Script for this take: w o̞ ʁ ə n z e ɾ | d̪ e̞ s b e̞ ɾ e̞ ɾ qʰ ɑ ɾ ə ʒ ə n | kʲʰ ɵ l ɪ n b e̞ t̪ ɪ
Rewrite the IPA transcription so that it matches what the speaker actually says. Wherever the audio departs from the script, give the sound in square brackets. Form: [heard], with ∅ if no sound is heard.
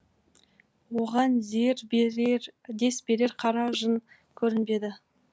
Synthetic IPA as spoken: w o̞ ʁ [ɑ] n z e ɾ | d̪ e̞ s b e̞ ɾ e̞ ɾ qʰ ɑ ɾ [ɑ] ʒ ə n | kʲʰ ɵ [ɾ] ɪ n b e̞ [d̪] ɪ